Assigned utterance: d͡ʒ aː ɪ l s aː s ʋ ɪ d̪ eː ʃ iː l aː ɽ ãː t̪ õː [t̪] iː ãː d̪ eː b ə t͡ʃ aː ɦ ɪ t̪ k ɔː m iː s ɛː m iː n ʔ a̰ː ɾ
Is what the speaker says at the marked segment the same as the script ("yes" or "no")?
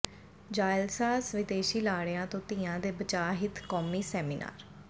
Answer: yes